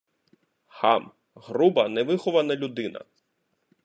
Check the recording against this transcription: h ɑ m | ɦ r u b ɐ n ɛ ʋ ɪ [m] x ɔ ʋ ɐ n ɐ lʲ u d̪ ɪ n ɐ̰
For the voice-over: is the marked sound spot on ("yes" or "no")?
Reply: no